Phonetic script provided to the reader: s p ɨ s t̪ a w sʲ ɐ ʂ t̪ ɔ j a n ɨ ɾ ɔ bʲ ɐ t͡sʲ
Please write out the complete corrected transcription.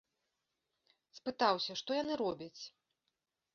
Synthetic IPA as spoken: s p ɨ t̪ a w sʲ ɐ ʂ t̪ ɔ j a n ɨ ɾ ɔ bʲ ɐ t͡sʲ